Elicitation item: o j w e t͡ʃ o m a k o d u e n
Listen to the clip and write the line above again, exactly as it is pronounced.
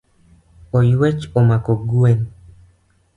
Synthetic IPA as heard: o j w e t͡ʃ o m a k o ɡ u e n